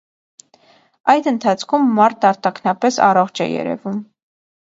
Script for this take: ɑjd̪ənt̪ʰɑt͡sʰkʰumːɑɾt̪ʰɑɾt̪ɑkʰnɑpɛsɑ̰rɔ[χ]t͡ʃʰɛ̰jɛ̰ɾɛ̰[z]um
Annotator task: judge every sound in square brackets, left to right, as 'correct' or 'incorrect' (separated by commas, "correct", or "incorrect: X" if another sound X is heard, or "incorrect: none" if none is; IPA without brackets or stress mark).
correct, incorrect: v